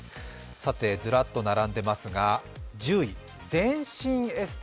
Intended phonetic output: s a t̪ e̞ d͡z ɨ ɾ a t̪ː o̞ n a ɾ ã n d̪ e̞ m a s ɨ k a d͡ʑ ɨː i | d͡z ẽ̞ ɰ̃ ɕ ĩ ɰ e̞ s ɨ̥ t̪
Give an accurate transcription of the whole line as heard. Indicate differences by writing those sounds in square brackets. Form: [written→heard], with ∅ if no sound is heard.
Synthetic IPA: s a t̪ e̞ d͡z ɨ ɾ a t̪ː o̞ n a ɾ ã n d̪ e̞ m a s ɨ [k→ɡ] a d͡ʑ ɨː i | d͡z ẽ̞ ɰ̃ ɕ ĩ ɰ e̞ s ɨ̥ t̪